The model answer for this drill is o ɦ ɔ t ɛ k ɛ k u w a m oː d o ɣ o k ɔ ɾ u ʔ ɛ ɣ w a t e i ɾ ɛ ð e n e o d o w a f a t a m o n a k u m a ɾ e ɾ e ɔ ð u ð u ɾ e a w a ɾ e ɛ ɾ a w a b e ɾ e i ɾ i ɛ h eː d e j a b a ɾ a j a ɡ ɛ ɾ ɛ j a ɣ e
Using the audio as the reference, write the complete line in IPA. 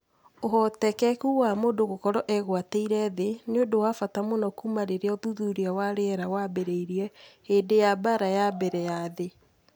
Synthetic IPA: o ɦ ɔ t ɛ k ɛ k u w a m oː d o ɣ o k ɔ ɾ ɔ ʔ ɛ ɣ w a t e i ɾ ɛ ð e n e o d o w a f a t a m o n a k u m a ɾ e ɾ e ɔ ð u ð u ɾ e a w a ɾ e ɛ ɾ a w a b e ɾ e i ɾ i ɛ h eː d e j a b a ɾ a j a b ɛ ɾ ɛ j a ð e

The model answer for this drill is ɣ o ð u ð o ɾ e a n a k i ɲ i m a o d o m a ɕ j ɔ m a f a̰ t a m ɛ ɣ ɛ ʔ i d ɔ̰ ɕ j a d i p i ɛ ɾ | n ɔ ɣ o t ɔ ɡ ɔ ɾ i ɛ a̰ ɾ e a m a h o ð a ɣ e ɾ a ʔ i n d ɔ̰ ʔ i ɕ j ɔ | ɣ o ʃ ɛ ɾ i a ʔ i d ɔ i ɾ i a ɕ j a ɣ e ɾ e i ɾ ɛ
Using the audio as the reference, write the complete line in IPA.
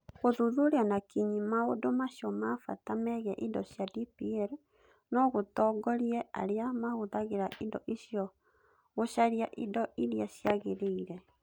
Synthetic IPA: ɣ o ð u ð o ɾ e a n a k i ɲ i m a o d o m a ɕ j ɔ m a f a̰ t a m ɛ ɣ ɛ ʔ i d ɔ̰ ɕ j a d i p i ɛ ɾ | n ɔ ɣ o t ɔ ɡ ɔ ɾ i ɛ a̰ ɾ e a m a h o ð a ɣ e ɾ a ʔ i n d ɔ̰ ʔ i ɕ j ɔ | ɣ o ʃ a ɾ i a ʔ i d ɔ i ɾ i a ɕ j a ɣ e ɾ e i ɾ ɛ

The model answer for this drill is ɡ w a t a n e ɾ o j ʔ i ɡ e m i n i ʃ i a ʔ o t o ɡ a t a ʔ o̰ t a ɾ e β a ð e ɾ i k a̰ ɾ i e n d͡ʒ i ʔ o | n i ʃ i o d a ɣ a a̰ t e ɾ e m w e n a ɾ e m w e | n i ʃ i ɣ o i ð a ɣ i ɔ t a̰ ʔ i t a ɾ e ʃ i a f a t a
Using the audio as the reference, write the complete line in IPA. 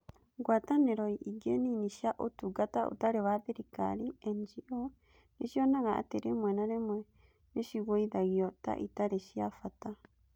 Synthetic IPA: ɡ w a t a n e ɾ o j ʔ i ɡ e n i n i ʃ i a ʔ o t u ɡ a t a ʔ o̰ t a ɾ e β a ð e ɾ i k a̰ ɾ i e n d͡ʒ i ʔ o | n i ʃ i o n a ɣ a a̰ t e ɾ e m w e n a ɾ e m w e | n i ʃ i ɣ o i ð a ɣ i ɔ t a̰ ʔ i t a ɾ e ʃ i a f a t a

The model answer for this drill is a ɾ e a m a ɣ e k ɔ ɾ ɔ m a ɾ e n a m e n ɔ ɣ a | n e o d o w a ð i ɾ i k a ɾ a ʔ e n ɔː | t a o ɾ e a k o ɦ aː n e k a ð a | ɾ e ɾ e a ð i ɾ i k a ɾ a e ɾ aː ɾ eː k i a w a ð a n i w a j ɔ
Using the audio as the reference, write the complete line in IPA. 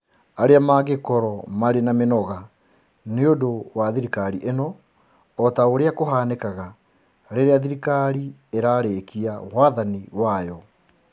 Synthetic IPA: a ɾ e a m a ɣ e k ɔ ɾ ɔ m a ɾ e n a m e n ɔ ɣ a | n e o d o w a ð i ɾ i k a ɾ i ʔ e n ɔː | t a o ɾ e a k o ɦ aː n e k a ɣ a | ɾ e ɾ e a ð i ɾ i k a ɾ i e ɾ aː ɾ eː k i a w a ð a n i w a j ɔ

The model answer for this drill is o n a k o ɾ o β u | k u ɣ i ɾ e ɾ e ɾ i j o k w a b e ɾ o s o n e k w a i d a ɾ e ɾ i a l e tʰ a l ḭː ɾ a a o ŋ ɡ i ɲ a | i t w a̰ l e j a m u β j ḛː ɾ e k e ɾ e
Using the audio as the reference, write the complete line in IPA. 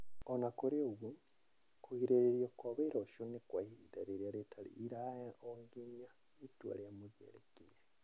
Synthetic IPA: o n a k o ɾ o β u | k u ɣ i ɾ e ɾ e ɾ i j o k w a β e ɾ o ʃ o n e k w a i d a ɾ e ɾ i a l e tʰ a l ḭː ɾ a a o ŋ ɡ i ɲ a | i t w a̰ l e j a m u β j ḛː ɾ e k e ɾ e

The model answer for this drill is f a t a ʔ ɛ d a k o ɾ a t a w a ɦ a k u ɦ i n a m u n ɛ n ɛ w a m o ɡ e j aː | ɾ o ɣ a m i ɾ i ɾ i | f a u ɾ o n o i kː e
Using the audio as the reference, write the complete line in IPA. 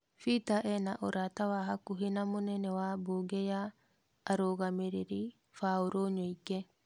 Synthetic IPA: f i t a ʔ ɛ n a ʔ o ɾ a t a w a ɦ a k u ɦ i n a m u n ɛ n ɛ w a b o ɡ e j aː | ɾ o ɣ a m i ɾ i ɾ i | f a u ɾ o ɲ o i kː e

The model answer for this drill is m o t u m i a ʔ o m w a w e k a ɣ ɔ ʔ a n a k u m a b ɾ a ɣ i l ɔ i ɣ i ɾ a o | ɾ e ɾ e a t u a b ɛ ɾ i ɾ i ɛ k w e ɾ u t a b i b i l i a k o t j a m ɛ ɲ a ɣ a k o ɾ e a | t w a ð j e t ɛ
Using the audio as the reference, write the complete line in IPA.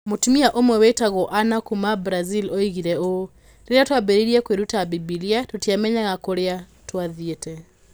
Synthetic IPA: m o t u m i a ʔ o m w ɛ w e t a ɣ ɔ ʔ a n a k u m a b ɾ a z i l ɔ i ɣ i ɾ ɛ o | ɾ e ɾ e a t w a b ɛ ɾ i ɾ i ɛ k w e ɾ u t a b i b i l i a t o t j a m ɛ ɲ a ɣ a k o ɾ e a | t w a ð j e t ɛ

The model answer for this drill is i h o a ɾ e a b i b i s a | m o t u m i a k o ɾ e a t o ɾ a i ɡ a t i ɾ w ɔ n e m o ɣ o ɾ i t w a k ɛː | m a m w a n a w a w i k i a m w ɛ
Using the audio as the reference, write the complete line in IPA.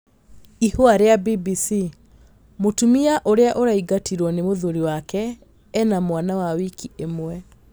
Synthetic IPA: i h o a ɾ e a b i b i s i | m o t u m i a ʔ o ɾ e a ʔ o ɾ a i ɡ a t i ɾ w ɔ n e m o ð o ɾ i w a k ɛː | n a m w a n a w a w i k i e m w ɛ

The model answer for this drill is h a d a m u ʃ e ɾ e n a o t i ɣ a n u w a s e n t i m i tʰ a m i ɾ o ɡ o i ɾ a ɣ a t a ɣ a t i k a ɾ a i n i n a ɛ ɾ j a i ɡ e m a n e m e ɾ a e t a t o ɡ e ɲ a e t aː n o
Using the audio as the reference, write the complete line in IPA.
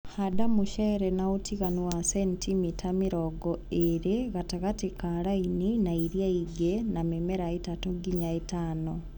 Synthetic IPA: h a d a m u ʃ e ɾ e n a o t i ɣ a n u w a s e n t i m i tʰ a m i ɾ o ɡ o e ɾ e ɣ a t a ɣ a t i k a ɾ a i n i n a i ɾ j a i ɡ e n a m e m e ɾ a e t a t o ɡ i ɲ a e t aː n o

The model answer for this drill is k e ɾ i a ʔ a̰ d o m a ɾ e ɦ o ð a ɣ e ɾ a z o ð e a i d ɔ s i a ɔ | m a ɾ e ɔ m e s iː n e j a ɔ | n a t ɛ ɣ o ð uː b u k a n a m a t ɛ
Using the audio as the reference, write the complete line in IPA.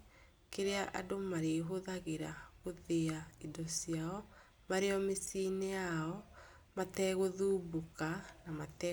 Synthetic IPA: k e ɾ e a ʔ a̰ d o m a ɾ e ɦ o ð a ɣ e ɾ a ɣ o ð e a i d ɔ s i a ɔ | m a ɾ e ɔ m e s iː n e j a ɔ | m a t ɛ ɣ o ð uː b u k a n a m a t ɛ

